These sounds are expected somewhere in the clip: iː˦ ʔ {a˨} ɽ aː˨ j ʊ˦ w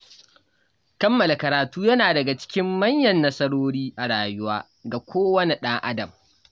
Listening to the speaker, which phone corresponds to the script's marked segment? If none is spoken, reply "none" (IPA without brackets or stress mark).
a˨